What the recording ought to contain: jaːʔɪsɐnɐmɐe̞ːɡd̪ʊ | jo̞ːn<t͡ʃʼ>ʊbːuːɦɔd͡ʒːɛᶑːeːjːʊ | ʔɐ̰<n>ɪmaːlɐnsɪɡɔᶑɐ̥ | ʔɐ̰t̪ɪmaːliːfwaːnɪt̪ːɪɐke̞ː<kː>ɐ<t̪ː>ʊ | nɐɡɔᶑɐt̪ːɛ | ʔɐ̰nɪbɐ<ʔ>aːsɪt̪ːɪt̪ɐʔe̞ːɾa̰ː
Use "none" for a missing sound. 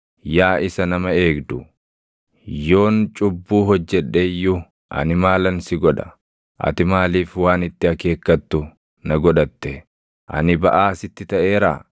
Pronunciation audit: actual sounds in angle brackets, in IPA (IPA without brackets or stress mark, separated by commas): t͡ʃʼ, n, kː, t̪ː, ʔ